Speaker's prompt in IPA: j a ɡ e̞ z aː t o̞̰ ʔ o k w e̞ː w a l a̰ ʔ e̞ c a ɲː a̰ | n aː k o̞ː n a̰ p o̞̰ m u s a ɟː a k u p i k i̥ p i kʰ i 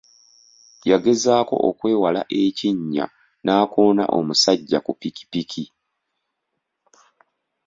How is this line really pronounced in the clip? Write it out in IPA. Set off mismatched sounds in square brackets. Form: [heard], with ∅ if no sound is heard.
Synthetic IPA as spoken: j a ɡ e̞ z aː [k] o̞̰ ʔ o k w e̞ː w a l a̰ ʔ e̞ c [i] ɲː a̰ | n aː k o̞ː n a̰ [ʔ] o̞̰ m u s a ɟː a k u p i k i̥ p i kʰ i